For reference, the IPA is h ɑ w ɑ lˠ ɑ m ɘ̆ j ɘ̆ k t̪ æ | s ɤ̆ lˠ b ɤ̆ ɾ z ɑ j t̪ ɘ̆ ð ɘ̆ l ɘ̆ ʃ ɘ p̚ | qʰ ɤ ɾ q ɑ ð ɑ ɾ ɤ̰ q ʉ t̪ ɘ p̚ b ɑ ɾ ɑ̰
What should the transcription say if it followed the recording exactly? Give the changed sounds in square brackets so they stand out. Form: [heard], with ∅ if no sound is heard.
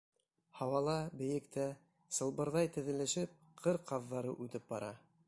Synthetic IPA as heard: h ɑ w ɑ lˠ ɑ [b] ɘ̆ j ɘ̆ k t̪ æ | s ɤ̆ lˠ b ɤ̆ ɾ [ð] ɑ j t̪ ɘ̆ ð ɘ̆ l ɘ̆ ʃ ɘ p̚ | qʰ ɤ ɾ q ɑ [ðː] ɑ ɾ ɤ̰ [ʔ] ʉ t̪ ɘ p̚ b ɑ ɾ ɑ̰